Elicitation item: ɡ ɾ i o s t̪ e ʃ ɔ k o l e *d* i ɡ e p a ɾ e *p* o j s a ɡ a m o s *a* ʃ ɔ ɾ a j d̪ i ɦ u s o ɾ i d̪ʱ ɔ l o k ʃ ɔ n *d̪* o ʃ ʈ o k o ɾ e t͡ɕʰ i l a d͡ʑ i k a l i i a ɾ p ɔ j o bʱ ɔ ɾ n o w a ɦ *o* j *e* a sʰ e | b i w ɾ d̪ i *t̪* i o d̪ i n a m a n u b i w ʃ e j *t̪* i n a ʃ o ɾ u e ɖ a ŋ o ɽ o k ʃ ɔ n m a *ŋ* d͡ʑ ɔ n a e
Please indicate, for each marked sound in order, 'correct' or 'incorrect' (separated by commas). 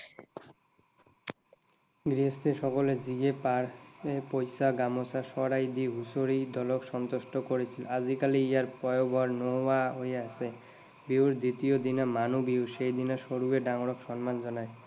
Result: incorrect, correct, correct, incorrect, correct, correct, correct, incorrect, incorrect